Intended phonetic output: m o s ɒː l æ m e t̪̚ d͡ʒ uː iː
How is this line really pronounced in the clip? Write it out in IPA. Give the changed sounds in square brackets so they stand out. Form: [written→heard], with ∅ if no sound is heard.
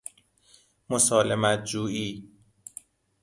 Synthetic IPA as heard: m o s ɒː l [æ→e] m [e→æ] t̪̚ d͡ʒ uː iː